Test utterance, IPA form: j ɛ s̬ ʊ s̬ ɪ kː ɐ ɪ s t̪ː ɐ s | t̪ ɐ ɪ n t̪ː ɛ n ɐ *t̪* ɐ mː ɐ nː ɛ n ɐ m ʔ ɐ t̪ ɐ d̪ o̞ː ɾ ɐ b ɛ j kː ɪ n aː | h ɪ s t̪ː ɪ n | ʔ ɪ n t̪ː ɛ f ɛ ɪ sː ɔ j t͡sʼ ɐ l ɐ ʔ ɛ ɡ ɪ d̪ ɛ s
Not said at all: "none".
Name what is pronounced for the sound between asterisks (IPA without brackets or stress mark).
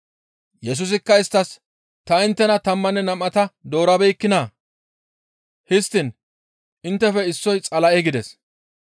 t̪